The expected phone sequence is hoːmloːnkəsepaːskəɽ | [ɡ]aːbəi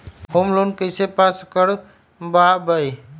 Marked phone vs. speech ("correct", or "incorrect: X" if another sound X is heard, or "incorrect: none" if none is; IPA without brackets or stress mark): incorrect: b